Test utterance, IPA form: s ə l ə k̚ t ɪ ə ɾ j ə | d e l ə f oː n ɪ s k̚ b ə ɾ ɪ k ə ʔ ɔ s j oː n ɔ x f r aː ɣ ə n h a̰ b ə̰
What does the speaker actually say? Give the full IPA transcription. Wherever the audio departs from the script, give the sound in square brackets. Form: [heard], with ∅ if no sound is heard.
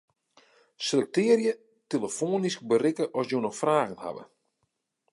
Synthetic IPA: s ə l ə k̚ t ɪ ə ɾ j ə | [t] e l ə f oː n [i] s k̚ b ə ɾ ɪ k ə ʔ ɔ s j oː n ɔ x f r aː ɣ ə n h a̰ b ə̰